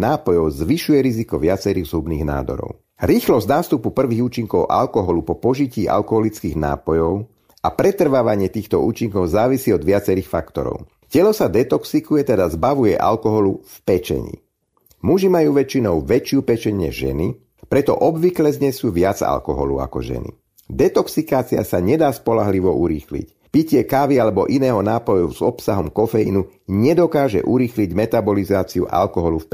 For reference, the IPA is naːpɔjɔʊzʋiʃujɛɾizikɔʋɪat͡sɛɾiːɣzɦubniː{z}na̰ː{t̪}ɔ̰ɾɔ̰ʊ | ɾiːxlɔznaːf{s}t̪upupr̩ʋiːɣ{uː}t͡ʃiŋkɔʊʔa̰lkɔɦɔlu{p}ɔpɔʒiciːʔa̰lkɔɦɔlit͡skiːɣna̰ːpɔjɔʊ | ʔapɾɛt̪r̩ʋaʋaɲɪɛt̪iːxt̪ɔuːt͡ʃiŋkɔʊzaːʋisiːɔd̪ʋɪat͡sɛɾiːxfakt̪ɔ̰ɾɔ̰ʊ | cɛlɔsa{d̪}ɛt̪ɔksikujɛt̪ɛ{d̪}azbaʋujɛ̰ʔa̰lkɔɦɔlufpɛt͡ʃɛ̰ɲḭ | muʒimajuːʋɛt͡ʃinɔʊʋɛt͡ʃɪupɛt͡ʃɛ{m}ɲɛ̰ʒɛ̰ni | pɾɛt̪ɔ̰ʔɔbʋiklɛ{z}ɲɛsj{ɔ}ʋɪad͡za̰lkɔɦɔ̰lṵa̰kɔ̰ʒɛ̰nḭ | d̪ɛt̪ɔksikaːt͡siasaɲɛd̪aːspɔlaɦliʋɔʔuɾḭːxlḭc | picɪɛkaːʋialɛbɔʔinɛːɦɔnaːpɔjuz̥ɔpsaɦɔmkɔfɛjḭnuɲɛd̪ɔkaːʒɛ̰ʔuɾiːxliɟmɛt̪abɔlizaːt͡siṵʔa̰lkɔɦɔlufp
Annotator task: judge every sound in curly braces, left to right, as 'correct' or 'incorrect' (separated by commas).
incorrect, incorrect, correct, correct, correct, correct, correct, incorrect, correct, incorrect